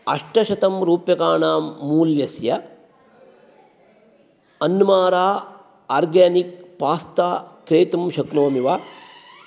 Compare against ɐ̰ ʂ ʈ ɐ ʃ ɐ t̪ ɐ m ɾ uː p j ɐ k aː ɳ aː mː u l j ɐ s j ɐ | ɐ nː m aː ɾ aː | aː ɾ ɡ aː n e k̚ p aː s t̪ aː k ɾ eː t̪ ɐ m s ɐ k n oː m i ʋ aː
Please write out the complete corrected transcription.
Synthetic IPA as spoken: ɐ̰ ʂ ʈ ɐ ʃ ɐ t̪ ɐ m ɾ uː p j ɐ k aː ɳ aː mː uː l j ɐ s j ɐ | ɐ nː m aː ɾ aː | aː ɾ ɡ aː n i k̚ p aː s t̪ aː k ɾ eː t̪ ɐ m ʃ ɐ k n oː m i ʋ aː